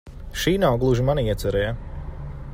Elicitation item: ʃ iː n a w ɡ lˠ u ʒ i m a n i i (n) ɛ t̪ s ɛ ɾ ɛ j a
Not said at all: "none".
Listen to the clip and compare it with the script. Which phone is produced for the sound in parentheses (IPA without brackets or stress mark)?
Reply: none